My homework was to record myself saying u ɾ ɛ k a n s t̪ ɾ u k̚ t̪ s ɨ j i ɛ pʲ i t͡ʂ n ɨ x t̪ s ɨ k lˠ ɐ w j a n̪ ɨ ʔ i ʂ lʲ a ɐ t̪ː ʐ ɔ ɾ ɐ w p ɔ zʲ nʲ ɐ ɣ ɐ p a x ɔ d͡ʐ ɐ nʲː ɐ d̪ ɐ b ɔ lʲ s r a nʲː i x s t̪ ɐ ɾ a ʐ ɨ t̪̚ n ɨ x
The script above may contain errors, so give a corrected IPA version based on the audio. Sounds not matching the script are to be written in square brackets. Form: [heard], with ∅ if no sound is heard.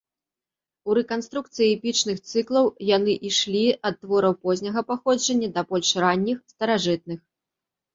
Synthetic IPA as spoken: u ɾ ɛ k a n s t̪ ɾ u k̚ t̪ s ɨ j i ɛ pʲ i t͡ʂ n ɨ x t̪ s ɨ k lˠ ɐ w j a n̪ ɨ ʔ i ʂ lʲ [i] ɐ t̪ː [v] ɔ ɾ ɐ w p ɔ zʲ nʲ ɐ ɣ ɐ p a x ɔ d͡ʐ ɐ nʲː ɐ d̪ ɐ b ɔ lʲ [ʂ] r a nʲː i x s t̪ ɐ ɾ a ʐ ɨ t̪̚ n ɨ x